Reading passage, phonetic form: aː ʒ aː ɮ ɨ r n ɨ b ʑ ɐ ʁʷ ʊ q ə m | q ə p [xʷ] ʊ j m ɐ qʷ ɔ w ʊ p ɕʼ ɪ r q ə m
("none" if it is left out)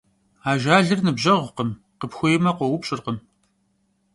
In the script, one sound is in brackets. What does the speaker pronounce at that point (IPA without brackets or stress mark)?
xʷ